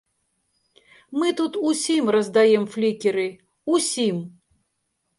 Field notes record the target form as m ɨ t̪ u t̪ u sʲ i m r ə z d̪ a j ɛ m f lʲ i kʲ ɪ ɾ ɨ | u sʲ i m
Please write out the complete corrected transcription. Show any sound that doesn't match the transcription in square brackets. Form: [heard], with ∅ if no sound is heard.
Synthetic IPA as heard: m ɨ t̪ u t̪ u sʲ i m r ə z d̪ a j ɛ m f lʲ i kʲ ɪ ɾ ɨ | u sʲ i m